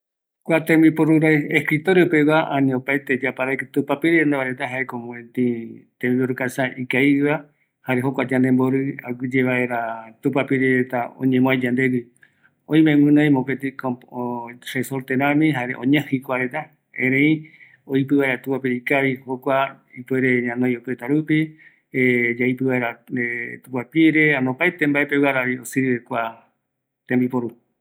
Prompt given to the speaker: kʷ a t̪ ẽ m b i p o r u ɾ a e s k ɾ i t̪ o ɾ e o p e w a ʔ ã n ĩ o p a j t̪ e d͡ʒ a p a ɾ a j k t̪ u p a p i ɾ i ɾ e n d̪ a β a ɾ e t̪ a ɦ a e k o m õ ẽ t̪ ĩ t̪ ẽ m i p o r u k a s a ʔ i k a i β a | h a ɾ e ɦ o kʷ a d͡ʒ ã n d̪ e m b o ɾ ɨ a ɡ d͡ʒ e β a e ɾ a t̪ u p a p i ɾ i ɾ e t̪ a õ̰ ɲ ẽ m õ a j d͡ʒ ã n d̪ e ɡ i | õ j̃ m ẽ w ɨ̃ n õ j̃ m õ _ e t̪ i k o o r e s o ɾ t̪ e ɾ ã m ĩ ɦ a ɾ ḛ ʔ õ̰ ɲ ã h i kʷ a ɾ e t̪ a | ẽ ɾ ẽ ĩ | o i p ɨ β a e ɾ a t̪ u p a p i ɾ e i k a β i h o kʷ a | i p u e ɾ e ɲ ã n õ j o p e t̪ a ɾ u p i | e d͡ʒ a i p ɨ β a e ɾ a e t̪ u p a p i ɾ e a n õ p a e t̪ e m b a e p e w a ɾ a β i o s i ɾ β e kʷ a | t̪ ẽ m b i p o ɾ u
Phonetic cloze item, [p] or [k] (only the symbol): p